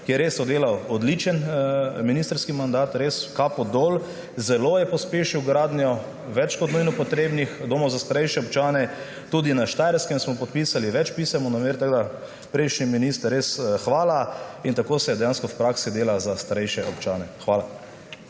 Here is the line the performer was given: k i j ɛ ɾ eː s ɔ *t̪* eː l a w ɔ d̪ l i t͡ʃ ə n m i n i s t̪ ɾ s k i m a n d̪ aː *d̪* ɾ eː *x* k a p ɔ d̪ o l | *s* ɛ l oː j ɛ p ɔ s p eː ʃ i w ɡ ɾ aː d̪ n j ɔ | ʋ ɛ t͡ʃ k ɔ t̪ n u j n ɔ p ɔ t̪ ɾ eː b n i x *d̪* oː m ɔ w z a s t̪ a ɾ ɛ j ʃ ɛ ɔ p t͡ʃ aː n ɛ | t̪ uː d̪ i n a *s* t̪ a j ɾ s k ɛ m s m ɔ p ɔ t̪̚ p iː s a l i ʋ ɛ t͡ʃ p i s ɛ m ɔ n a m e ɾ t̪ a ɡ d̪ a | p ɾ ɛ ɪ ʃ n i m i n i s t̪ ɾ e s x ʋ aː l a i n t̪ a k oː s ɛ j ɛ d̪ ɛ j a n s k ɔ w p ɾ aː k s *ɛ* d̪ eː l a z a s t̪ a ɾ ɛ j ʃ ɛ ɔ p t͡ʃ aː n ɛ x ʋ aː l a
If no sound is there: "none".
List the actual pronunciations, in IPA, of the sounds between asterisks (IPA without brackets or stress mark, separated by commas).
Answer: d̪, t̪, s, z, d̪, ʃ, i